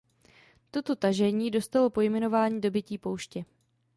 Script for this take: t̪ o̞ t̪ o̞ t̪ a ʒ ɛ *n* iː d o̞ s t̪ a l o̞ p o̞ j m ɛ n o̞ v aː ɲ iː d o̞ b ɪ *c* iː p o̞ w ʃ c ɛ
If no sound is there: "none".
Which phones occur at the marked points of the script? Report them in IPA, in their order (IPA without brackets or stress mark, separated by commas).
ɲ, c